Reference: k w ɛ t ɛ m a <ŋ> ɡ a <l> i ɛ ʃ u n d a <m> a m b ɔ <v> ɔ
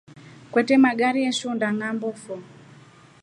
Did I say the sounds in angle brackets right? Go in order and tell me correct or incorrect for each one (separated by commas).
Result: incorrect, incorrect, incorrect, incorrect